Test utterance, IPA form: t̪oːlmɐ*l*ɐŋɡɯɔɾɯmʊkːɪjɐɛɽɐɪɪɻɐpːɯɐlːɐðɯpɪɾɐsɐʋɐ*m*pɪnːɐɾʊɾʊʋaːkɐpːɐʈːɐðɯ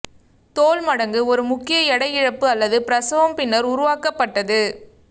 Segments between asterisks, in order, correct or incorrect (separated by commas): incorrect, correct